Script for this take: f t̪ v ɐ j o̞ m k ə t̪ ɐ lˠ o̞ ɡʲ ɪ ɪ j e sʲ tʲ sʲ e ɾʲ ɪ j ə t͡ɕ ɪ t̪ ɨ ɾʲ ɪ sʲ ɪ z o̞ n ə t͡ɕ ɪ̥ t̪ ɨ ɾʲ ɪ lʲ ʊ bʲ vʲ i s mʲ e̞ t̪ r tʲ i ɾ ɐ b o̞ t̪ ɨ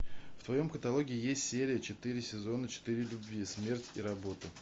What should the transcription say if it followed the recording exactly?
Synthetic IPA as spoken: f t̪ v ɐ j o̞ m k ə t̪ ɐ lˠ o̞ ɡʲ ɪ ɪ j e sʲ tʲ sʲ e ɾʲ ɪ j ə t͡ɕ ɪ t̪ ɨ ɾʲ ɪ sʲ ɪ z o̞ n ə t͡ɕ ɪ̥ t̪ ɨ ɾʲ ɪ lʲ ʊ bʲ vʲ i s mʲ e̞ r tʲ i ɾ ɐ b o̞ t̪ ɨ